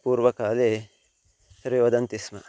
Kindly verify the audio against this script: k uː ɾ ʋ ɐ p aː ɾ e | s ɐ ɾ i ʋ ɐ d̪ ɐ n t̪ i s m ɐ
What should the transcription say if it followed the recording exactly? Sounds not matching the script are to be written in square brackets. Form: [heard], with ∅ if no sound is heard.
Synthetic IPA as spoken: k uː ɾ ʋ ɐ [k] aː [l] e | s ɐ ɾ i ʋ ɐ d̪ ɐ n t̪ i s m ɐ